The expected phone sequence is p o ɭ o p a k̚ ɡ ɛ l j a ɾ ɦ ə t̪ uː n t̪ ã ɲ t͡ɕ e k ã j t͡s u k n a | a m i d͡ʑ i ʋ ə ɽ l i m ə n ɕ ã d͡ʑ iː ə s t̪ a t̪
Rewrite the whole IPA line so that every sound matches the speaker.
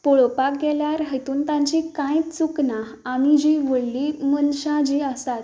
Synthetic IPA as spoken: p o ɭ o p a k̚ ɡ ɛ l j a ɾ ɦ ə t̪ uː n t̪ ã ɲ t͡ɕ i k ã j t͡s u k n a | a m i d͡ʑ i ʋ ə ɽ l i m ə n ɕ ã d͡ʑ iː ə s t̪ a t̪